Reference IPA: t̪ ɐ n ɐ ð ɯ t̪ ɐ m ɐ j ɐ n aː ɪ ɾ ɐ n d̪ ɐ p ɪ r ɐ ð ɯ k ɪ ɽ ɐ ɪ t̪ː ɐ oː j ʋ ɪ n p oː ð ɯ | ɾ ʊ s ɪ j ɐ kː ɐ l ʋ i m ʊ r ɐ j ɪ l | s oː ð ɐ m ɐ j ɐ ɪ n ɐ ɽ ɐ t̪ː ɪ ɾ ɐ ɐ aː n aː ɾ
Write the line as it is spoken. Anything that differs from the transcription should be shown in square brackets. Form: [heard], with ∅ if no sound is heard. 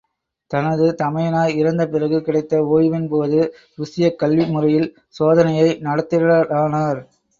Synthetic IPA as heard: t̪ ɐ n ɐ ð ɯ t̪ ɐ m ɐ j ɐ n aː ɪ ɾ ɐ n d̪ ɐ p ɪ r ɐ [ɣ] ɯ k ɪ ɽ ɐ ɪ t̪ː ɐ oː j ʋ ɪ n p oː ð ɯ | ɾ ʊ s ɪ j ɐ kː ɐ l ʋ i m ʊ r ɐ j ɪ l | s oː ð ɐ [n] ɐ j ɐ ɪ n ɐ ɽ ɐ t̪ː ɪ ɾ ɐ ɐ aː n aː ɾ